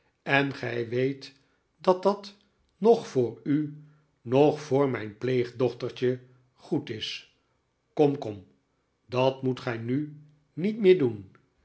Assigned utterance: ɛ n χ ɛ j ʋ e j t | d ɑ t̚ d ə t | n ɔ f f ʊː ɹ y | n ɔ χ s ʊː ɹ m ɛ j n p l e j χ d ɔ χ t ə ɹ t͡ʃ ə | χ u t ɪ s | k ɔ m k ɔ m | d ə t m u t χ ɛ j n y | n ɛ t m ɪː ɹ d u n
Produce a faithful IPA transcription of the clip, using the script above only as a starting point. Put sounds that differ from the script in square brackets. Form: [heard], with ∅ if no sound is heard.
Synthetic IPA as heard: ɛ n χ ɛ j ʋ e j t | d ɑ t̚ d [ɑ] t | n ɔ [χ] f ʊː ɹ y | n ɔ χ [f] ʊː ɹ m ɛ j n p l e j χ d ɔ χ t ə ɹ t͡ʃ ə | χ u t ɪ s | k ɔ m k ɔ m | d [ɑ] t m u t χ ɛ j n y | n [i] t m ɪː ɹ d u n